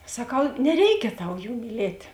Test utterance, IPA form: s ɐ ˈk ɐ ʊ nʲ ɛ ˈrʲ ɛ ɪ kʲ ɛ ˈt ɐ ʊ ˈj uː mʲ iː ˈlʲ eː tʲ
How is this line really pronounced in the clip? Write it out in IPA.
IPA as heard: s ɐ ˈk ɐ ʊ nʲ ɛ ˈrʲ ɛ ɪ kʲ ɛ ˈt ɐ ʊ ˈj uː mʲ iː ˈlʲ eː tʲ